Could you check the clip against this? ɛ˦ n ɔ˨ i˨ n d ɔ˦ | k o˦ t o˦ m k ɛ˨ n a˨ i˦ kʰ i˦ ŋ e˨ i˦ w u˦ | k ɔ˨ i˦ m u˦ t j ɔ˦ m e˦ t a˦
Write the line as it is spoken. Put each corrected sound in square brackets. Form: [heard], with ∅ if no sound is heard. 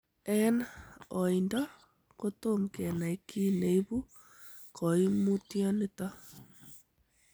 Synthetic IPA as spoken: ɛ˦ n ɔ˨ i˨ n d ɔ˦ | k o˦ t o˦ m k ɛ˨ n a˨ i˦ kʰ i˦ [n] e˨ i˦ [β] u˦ | k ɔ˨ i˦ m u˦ t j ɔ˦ [n] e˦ t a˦